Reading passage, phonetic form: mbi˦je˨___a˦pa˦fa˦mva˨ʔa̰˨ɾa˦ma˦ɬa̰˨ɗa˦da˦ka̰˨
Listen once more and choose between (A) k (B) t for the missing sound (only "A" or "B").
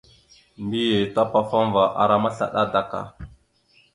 B